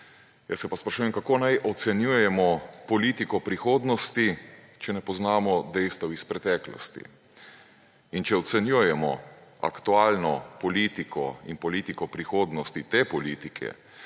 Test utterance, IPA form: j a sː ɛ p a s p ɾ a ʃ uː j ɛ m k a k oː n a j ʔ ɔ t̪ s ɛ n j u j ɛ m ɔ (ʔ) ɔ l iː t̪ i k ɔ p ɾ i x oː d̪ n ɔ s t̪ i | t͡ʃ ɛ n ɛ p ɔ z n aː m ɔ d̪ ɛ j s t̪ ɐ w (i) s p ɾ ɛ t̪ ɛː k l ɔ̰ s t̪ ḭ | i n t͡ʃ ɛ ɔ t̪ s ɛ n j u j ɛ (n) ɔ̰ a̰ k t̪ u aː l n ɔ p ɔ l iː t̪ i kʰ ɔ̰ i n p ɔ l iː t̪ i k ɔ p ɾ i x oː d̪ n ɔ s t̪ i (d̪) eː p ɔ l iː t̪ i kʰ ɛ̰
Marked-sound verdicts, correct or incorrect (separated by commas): incorrect, correct, incorrect, incorrect